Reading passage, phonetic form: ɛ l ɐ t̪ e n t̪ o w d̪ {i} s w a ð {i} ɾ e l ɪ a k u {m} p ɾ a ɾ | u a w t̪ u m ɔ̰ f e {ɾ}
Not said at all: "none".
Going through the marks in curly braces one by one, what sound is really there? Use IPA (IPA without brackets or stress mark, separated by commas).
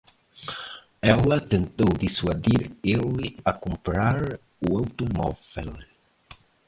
i, i, m, l